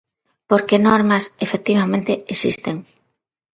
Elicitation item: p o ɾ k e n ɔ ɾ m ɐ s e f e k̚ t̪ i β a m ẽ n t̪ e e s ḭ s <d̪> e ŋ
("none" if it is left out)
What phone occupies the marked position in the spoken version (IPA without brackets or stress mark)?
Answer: t̪